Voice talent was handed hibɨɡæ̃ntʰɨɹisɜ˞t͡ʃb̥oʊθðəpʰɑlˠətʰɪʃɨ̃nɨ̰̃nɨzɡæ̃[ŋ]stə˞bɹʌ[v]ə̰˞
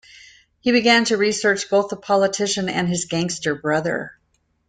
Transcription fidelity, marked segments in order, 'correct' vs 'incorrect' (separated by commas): correct, incorrect